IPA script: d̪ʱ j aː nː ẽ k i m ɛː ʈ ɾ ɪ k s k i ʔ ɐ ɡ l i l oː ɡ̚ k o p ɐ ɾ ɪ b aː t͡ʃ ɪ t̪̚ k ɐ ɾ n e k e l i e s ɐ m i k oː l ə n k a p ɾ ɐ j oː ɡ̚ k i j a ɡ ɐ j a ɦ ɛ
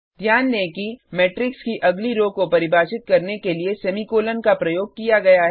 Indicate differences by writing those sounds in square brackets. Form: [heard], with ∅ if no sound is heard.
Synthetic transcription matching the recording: d̪ʱ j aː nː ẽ k i m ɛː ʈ ɾ ɪ k s k i ʔ ɐ ɡ l i [ɾ] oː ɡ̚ k o p ɐ ɾ ɪ b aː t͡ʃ ɪ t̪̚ k ɐ ɾ n e k e l i e s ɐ m i k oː l ə n k a p ɾ ɐ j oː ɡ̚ k i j a ɡ ɐ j a ɦ ɛ